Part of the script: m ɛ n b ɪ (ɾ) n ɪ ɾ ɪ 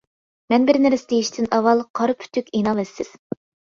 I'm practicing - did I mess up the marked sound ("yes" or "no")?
no